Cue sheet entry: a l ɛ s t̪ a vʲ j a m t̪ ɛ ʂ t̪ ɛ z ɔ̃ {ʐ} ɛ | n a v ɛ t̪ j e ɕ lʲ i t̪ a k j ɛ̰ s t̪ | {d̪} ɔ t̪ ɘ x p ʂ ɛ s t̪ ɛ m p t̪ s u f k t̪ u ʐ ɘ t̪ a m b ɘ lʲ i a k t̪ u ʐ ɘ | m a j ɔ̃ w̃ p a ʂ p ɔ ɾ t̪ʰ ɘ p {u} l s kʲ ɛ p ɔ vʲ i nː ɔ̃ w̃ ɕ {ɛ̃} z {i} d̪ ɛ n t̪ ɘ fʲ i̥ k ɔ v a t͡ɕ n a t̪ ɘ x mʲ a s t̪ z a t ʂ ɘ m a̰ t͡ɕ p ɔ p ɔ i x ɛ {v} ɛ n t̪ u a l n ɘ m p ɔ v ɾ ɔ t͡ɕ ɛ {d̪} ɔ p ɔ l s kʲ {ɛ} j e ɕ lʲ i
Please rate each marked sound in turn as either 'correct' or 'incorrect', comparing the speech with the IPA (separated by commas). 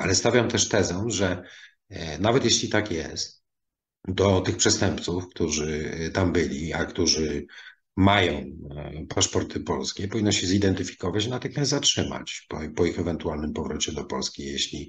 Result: correct, correct, incorrect, incorrect, correct, correct, correct, incorrect